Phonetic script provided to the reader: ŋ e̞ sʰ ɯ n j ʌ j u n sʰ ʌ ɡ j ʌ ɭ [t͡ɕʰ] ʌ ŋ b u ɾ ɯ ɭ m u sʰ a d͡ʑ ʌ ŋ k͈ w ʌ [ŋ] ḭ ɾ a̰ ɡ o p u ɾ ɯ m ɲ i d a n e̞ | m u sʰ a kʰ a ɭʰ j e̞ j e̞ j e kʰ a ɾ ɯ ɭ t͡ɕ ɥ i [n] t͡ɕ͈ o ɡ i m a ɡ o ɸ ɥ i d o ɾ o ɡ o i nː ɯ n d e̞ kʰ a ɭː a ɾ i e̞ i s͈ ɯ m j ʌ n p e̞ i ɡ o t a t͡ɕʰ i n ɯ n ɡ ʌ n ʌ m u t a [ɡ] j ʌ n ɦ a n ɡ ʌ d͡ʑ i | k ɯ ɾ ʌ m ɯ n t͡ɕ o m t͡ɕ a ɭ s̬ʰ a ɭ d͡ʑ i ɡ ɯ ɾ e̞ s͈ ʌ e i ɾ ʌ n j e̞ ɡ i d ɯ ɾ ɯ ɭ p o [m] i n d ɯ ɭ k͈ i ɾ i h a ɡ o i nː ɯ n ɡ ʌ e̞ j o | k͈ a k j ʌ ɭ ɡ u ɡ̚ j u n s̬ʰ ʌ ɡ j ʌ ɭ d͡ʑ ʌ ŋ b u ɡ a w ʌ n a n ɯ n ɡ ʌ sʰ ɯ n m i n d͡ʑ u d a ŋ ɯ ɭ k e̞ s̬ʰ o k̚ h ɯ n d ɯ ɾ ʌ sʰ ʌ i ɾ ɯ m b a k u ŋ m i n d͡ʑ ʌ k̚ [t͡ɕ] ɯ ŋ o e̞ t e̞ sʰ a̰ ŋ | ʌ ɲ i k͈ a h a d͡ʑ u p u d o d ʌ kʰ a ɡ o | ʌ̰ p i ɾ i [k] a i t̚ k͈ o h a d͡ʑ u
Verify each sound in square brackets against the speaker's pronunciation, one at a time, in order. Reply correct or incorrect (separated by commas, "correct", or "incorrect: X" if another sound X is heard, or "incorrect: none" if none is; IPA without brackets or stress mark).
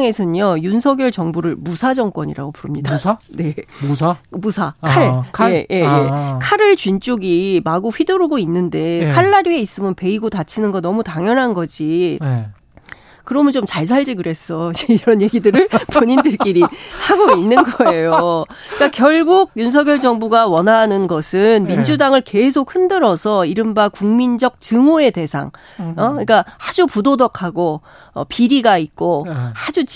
incorrect: t͡ɕ, incorrect: ɲ, correct, incorrect: ŋ, incorrect: ɲ, correct, incorrect: ɡ